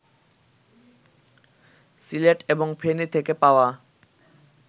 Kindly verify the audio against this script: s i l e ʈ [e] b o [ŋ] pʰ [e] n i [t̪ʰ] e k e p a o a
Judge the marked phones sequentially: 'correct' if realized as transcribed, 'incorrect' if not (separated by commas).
correct, correct, correct, correct